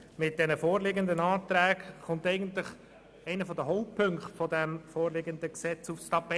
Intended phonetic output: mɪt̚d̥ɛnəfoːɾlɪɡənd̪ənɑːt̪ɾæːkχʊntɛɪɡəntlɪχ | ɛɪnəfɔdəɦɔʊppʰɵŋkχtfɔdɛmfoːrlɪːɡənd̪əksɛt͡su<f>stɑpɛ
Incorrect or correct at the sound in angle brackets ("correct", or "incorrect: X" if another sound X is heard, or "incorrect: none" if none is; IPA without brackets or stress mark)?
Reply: correct